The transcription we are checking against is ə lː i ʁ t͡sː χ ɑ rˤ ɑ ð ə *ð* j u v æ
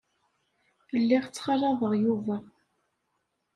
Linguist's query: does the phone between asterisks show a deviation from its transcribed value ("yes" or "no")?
yes